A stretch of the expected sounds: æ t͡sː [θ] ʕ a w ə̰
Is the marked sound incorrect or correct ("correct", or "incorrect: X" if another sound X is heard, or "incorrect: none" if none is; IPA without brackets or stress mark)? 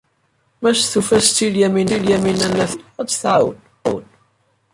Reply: correct